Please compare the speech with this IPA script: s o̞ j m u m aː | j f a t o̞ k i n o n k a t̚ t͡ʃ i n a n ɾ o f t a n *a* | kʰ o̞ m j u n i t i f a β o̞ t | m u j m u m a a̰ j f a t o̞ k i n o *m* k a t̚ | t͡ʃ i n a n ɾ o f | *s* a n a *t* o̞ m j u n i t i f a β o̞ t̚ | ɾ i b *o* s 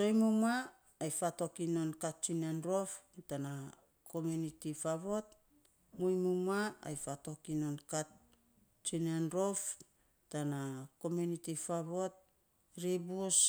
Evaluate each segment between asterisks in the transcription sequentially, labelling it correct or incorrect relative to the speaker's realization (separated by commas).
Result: correct, incorrect, incorrect, incorrect, incorrect